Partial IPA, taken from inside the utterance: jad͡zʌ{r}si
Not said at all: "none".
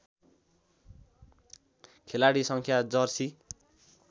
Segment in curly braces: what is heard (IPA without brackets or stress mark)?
r